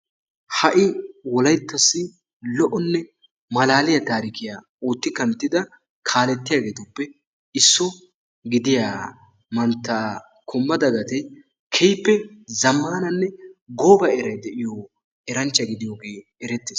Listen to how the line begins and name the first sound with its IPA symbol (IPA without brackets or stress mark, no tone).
h